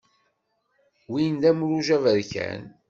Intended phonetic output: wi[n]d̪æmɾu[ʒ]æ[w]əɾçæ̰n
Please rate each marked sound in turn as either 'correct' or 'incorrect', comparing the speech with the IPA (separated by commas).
correct, correct, incorrect